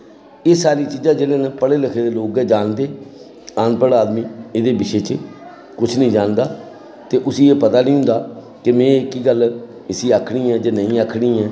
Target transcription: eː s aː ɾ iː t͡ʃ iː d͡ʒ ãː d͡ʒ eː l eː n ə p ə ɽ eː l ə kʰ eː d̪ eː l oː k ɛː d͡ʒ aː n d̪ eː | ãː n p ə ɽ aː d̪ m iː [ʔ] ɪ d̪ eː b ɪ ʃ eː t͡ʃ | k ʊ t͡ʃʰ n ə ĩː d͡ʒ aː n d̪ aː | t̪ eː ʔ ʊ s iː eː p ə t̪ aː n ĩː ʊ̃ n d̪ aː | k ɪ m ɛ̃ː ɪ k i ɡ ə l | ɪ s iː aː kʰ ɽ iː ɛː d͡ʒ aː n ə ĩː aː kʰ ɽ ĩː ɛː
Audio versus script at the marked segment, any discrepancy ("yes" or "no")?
yes